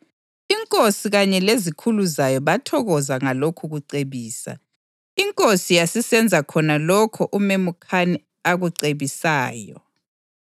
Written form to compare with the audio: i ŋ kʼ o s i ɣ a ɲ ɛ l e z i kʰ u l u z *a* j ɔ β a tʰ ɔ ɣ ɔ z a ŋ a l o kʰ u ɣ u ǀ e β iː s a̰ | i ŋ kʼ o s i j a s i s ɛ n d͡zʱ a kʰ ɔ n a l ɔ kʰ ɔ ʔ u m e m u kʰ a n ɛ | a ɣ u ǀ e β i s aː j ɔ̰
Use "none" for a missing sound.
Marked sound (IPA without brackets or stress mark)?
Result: a